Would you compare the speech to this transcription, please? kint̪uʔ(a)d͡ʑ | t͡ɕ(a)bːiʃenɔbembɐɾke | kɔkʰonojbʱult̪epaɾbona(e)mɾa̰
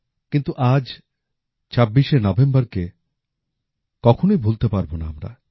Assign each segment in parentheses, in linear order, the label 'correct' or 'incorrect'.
correct, correct, incorrect: a

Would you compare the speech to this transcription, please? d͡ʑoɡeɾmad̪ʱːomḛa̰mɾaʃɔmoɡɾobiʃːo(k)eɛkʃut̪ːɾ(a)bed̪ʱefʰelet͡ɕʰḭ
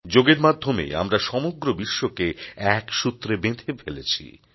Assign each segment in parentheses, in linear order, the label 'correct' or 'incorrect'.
correct, incorrect: e

